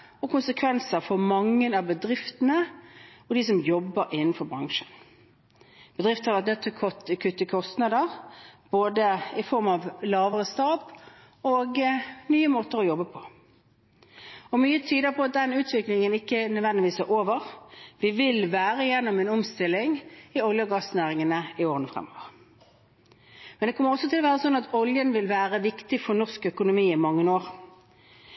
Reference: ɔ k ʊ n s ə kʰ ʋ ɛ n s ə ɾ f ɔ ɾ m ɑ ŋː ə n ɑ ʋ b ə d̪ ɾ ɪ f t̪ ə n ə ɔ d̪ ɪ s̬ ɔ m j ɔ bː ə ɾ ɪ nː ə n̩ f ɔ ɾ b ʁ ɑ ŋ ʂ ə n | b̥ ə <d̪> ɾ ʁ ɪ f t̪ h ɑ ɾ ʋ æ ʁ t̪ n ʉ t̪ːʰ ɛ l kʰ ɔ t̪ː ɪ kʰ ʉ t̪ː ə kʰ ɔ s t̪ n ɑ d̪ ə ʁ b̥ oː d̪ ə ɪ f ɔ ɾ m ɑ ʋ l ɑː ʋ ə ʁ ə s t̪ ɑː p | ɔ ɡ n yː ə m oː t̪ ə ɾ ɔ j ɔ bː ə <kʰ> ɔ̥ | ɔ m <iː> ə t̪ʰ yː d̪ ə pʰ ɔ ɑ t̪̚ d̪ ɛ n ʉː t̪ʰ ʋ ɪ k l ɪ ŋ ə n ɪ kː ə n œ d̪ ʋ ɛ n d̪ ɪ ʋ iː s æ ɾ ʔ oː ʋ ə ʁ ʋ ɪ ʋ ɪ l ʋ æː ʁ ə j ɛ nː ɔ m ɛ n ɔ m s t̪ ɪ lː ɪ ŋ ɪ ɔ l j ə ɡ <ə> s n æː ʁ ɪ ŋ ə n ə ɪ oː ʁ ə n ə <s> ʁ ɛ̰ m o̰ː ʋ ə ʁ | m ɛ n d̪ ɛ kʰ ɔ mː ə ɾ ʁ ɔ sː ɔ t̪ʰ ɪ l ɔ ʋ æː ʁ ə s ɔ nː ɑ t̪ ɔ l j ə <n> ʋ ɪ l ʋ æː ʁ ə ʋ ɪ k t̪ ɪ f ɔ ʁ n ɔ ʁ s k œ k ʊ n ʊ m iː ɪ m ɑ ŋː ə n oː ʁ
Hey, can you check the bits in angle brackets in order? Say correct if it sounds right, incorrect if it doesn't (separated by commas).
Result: correct, incorrect, incorrect, incorrect, incorrect, correct